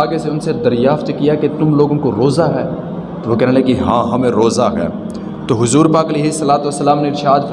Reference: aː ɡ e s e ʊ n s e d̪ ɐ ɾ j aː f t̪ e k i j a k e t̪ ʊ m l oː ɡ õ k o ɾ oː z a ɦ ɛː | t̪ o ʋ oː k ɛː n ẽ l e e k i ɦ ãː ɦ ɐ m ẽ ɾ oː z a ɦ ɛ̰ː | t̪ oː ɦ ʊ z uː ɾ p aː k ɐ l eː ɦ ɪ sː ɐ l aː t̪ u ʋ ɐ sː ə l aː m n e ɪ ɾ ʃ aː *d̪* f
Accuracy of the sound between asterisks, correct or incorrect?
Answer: correct